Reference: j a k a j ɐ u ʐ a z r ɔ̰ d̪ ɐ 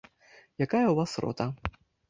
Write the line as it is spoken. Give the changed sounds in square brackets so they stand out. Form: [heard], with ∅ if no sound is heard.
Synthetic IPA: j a k a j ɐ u [v] a [s] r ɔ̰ [t̪] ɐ